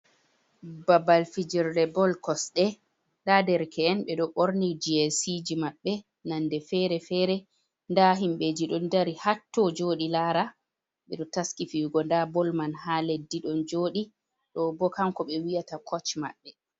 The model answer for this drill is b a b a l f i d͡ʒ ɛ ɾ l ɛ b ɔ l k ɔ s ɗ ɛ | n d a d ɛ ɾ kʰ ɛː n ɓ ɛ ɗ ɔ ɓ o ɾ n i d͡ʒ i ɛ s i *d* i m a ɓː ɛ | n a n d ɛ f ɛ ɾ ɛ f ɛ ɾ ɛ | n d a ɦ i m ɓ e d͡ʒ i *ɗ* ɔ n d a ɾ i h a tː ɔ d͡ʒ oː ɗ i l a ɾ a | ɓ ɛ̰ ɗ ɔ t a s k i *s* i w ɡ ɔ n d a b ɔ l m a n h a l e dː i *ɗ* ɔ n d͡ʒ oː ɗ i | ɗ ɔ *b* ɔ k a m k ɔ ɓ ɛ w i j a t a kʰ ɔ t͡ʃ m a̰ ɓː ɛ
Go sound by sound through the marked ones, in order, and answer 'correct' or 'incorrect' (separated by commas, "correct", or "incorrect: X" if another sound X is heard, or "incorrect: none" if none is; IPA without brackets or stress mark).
incorrect: d͡ʒ, correct, incorrect: f, correct, correct